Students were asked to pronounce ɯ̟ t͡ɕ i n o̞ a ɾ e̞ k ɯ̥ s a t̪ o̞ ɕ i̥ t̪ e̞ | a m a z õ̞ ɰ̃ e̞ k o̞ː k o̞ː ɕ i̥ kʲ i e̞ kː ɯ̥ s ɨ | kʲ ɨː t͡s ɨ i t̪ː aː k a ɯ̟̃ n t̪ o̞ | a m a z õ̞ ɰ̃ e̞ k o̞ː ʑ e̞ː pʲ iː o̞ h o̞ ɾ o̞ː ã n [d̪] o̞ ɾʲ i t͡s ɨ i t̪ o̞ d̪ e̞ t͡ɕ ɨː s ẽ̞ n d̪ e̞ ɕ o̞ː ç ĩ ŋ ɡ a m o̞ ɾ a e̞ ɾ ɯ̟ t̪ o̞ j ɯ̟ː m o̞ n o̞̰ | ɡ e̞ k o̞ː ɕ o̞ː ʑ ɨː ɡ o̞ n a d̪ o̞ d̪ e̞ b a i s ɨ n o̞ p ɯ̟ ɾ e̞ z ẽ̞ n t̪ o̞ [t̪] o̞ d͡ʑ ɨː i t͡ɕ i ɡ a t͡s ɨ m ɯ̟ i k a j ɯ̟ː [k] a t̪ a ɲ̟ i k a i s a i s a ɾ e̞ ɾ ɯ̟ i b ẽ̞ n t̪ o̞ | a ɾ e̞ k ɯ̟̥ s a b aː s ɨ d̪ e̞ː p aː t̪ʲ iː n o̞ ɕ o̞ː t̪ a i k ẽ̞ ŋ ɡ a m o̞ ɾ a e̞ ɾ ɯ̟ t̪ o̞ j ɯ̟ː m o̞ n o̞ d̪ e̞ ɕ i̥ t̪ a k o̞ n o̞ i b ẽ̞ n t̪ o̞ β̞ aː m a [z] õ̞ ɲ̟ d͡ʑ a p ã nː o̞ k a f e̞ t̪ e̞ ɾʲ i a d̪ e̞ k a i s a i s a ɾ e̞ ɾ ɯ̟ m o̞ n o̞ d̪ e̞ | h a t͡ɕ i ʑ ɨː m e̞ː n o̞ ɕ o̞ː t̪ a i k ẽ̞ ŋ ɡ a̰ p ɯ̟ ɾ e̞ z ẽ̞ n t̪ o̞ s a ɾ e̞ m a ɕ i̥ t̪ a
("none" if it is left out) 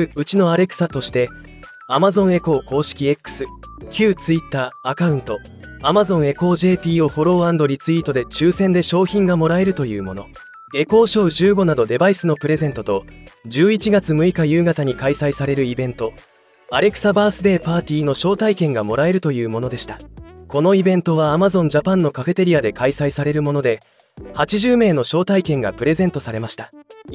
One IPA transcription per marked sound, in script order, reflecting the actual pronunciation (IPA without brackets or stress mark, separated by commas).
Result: d̪, t̪, ɡ, z